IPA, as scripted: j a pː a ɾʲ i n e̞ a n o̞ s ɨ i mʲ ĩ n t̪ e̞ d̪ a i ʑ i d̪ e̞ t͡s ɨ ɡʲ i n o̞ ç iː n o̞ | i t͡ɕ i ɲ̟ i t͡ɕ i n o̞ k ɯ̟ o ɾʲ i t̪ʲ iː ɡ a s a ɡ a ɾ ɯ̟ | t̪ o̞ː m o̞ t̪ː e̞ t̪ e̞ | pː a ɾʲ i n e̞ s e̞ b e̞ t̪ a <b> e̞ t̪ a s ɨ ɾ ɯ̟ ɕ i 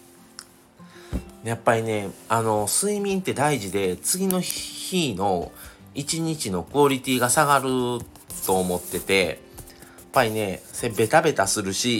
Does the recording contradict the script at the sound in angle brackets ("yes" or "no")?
no